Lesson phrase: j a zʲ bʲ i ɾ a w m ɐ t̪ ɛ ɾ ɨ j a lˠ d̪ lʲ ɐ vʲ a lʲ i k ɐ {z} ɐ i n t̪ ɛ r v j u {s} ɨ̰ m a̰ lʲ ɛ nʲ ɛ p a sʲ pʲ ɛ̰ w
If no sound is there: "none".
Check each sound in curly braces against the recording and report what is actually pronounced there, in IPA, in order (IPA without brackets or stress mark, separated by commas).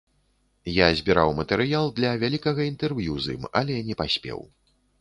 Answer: ɣ, z